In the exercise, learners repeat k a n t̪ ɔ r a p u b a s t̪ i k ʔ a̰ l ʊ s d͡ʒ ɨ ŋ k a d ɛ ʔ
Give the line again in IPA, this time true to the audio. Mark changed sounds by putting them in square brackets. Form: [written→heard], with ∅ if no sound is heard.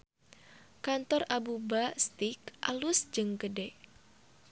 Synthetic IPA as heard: k a n t̪ ɔ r a [p→b] u b a s t̪ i k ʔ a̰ l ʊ s d͡ʒ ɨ ŋ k [a→ə] d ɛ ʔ